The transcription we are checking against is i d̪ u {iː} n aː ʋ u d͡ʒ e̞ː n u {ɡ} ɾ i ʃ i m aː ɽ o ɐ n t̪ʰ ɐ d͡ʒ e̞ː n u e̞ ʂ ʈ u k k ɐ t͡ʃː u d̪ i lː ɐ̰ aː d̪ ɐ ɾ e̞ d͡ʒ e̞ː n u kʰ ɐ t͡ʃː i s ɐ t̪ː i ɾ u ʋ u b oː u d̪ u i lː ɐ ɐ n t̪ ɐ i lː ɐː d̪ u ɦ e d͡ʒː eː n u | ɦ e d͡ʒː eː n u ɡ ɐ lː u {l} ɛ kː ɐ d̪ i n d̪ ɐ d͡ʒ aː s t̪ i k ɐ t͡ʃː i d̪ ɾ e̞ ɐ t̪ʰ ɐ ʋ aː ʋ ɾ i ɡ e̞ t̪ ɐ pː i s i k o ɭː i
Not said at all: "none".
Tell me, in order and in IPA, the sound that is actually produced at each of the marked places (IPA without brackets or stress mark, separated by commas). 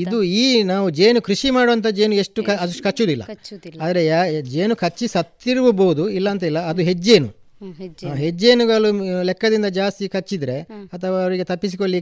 iː, k, l